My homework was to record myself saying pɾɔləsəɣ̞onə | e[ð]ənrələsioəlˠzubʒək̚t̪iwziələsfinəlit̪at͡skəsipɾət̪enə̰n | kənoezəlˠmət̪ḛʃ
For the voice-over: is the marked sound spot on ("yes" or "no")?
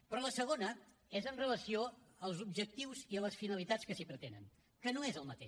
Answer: no